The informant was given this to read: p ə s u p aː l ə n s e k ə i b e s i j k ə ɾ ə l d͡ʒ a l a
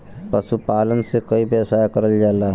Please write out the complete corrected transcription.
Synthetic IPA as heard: p ə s u p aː l ə n s e k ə i b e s a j k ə ɾ ə l d͡ʒ a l a

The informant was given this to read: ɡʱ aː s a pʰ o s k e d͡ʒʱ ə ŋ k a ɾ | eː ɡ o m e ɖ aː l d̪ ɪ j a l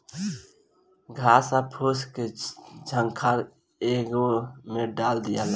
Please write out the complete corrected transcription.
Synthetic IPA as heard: ɡʱ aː s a pʰ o s k e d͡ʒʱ ə ŋ kʰ a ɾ | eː ɡ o m e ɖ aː l d̪ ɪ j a l

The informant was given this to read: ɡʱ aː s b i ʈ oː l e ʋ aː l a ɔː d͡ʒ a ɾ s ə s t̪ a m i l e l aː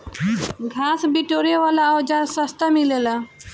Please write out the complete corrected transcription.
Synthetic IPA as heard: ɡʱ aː s b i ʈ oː ɾ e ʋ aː l a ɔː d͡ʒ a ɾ s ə s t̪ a m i l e l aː

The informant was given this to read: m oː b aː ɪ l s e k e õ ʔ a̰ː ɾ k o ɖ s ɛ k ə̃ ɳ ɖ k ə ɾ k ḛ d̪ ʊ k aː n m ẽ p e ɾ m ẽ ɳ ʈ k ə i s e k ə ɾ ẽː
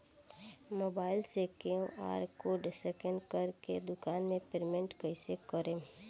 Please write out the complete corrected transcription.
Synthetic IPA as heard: m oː b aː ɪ l s e k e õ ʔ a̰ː ɾ k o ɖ s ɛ k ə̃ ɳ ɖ k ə ɾ k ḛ d̪ ʊ k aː n m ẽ p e ɾ m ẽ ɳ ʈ k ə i s e k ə ɾ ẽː

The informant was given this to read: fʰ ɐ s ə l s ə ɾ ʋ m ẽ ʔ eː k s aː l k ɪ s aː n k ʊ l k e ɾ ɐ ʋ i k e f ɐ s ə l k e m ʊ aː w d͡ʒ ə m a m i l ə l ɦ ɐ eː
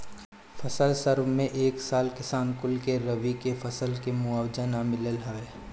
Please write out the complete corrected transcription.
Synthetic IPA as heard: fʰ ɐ s ə l s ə ɾ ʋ m ẽ ʔ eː k s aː l k ɪ s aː n k ʊ l k e ɾ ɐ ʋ i k e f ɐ s ə l k e m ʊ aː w d͡ʒ ə n a m ɪ l ə l ɦ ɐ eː

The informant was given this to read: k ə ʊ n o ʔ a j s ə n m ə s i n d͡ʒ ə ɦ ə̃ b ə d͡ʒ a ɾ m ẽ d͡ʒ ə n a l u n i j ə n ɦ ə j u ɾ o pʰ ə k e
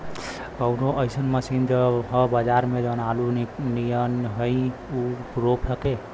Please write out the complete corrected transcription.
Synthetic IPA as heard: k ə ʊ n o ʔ ə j s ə n m ə s i n d͡ʒ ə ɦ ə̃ b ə d͡ʒ a ɾ m e d͡ʒ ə n a l u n i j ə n ɦ ə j u ɾ o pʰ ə k e

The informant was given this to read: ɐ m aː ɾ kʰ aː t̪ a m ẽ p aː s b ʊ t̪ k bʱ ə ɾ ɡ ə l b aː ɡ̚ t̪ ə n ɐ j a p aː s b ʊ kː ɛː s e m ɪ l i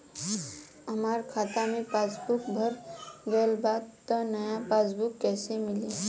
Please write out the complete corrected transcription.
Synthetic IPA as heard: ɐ m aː ɾ kʰ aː t̪ a m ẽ p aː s b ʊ k bʱ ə ɾ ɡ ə l b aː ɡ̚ t̪ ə n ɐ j a p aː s b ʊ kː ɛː s e m ɪ l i

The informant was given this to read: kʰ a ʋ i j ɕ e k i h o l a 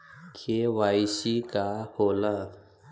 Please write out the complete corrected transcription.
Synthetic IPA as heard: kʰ e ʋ a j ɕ i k a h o l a

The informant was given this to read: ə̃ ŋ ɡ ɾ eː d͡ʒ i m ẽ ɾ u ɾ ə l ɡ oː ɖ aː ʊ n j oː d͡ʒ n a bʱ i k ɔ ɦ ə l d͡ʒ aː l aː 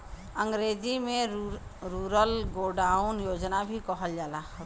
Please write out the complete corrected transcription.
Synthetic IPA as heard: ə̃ ŋ ɡ ɾ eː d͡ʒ i m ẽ ɾ u ɾ ə l ɡ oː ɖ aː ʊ n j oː d͡ʒ n a bʱ i k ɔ ɦ ə l d͡ʒ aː l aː

